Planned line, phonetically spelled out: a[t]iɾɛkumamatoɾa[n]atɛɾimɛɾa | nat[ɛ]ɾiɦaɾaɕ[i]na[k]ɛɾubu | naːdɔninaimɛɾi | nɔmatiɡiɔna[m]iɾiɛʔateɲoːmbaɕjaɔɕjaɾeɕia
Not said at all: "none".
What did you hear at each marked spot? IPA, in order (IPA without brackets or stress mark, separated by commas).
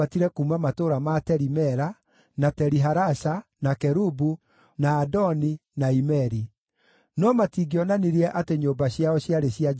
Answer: t, m, ɛ, a, k, n